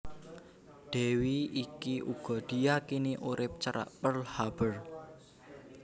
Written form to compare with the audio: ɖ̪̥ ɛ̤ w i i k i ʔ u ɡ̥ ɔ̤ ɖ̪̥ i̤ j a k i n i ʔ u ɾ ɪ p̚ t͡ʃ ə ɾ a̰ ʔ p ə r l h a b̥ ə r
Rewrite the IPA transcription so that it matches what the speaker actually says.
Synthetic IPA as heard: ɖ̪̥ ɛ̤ w i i k i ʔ u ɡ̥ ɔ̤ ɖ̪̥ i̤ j a k i n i ʔ u ɾ ɪ p̚ t͡ʃ ə ɾ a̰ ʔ p ə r l h a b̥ ə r